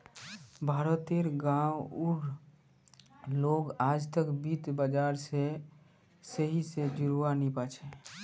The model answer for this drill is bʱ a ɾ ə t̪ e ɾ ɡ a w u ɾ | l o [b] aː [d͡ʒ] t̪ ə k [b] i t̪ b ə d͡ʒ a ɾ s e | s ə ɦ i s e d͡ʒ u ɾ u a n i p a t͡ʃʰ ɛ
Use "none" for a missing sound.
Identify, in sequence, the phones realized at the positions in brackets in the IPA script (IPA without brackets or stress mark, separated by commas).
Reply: ɡ, d͡ʒ, b